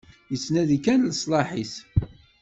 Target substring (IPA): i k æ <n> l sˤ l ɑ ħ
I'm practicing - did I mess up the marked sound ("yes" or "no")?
no